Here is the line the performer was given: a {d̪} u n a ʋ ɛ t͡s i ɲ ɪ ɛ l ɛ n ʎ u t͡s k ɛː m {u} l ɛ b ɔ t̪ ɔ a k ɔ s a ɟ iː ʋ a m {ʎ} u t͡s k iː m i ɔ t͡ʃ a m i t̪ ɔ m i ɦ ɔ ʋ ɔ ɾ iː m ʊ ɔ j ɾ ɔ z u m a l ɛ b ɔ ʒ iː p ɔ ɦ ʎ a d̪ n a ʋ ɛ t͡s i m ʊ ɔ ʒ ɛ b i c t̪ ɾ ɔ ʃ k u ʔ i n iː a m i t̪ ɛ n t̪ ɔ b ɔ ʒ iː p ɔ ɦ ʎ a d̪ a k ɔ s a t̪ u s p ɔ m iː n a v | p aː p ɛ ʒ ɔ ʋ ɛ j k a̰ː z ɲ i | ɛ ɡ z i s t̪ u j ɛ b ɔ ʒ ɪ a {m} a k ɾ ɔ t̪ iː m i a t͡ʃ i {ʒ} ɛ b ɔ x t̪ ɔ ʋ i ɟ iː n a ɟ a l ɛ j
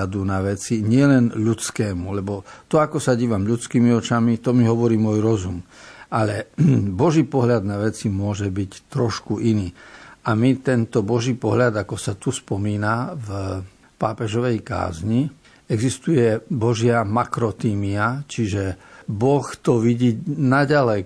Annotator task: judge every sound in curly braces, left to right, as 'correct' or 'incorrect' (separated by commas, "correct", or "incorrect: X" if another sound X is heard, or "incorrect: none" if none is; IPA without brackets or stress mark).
correct, correct, correct, correct, correct